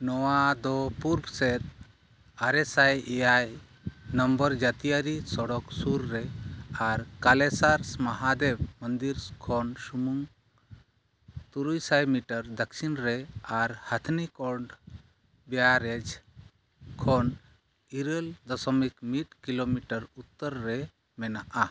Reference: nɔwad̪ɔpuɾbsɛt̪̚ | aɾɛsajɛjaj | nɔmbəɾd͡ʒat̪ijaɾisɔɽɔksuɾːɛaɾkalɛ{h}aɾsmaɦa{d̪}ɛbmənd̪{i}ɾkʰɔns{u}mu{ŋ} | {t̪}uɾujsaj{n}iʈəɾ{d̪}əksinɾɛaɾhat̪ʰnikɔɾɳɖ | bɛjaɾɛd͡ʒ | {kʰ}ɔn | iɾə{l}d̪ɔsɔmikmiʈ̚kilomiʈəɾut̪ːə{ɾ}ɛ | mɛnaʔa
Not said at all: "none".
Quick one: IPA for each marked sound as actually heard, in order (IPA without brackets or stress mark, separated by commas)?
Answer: s, d̪, i, u, ŋ, t̪, m, d̪, kʰ, l, ɾː